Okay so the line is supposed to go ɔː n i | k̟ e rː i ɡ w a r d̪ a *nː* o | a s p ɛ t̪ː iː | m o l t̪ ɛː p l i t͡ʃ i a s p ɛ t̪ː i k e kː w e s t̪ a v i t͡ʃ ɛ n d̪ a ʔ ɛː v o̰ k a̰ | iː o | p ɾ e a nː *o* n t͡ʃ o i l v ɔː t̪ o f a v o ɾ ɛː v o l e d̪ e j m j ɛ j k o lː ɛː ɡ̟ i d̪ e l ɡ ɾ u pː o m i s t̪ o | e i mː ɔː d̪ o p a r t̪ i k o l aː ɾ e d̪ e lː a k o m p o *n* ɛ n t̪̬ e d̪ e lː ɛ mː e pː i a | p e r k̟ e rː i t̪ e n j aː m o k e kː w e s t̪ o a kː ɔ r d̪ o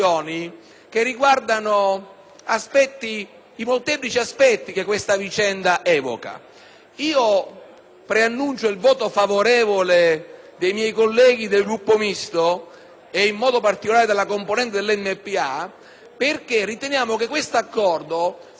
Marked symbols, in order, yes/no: no, no, yes

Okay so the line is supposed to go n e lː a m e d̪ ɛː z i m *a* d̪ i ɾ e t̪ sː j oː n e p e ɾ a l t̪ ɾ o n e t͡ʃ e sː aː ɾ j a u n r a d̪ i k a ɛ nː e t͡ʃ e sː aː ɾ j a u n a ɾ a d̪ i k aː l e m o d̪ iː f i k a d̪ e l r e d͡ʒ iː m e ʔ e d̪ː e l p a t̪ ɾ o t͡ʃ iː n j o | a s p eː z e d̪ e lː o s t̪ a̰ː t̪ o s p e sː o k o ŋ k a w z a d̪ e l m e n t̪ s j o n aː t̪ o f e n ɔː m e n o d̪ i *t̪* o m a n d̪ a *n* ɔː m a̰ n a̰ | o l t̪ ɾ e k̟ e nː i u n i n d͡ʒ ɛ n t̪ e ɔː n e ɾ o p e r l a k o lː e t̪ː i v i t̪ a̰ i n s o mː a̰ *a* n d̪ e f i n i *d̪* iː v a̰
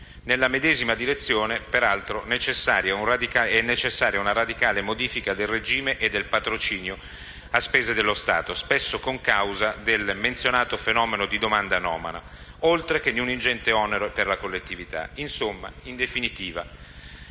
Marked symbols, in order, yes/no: yes, no, yes, no, no

